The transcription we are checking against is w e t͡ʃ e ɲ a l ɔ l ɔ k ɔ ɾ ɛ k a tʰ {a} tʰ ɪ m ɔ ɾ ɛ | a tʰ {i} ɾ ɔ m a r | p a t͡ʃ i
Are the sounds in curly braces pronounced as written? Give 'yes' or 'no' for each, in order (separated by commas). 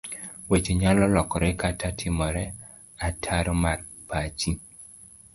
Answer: yes, no